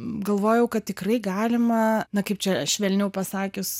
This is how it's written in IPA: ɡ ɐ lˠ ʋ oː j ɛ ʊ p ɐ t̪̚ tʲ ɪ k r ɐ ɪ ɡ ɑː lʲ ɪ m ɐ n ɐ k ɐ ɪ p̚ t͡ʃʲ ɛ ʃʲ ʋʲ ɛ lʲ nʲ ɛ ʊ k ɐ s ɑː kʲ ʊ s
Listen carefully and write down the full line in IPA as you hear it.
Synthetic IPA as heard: ɡ ɐ lˠ ʋ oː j ɛ ʊ k ɐ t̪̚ tʲ ɪ k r ɐ ɪ ɡ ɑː lʲ ɪ m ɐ n ɐ k ɐ ɪ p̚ t͡ʃʲ ɛ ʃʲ ʋʲ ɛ lʲ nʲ ɛ ʊ p ɐ s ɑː kʲ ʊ s